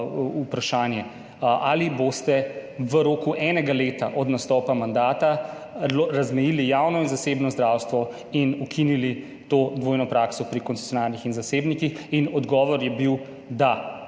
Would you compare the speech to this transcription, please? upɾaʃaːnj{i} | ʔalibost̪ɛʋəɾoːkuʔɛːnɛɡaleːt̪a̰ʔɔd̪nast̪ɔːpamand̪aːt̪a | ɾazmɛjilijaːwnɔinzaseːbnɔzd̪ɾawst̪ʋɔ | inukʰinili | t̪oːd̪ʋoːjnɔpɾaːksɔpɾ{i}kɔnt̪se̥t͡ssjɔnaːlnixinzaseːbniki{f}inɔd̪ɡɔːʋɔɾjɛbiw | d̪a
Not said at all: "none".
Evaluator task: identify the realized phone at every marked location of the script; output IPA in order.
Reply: ɛ, i, x

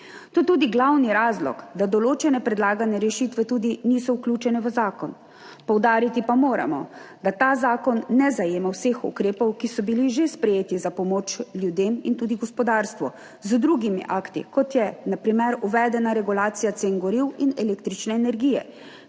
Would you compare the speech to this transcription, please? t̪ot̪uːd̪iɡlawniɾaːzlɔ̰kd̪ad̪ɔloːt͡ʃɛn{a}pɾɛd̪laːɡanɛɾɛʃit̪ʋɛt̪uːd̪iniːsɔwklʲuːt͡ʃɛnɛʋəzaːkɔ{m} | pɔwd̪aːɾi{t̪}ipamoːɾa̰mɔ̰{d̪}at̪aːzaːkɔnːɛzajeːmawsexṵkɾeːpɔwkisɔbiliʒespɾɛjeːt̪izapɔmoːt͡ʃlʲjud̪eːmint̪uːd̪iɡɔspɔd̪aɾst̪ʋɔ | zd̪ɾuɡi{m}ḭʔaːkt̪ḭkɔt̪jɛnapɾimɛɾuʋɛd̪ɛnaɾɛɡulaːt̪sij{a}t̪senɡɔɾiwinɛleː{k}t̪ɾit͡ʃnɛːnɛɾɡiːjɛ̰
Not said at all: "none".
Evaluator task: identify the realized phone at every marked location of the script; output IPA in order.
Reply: ɛ, n, t̪, d̪, m, a, k

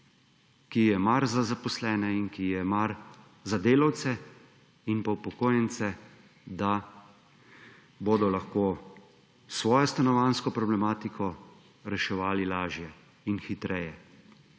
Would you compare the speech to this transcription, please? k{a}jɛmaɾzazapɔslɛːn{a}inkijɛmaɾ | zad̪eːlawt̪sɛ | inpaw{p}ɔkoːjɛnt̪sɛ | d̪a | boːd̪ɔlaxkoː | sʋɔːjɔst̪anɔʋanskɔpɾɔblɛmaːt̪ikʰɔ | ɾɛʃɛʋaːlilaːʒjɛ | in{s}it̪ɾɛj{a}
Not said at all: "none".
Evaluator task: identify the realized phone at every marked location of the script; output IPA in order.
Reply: i, ɛ, p, x, ɛ

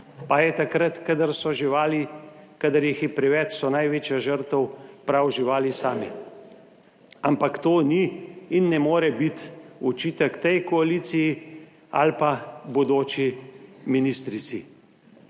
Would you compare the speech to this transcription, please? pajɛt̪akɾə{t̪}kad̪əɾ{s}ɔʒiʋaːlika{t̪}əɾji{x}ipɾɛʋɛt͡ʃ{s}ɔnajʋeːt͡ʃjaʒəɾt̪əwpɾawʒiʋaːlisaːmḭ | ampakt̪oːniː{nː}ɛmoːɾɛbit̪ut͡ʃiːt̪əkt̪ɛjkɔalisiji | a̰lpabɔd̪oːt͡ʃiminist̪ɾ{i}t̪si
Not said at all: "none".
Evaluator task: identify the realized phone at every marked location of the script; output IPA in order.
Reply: t̪, s, d̪, x, s, nː, i

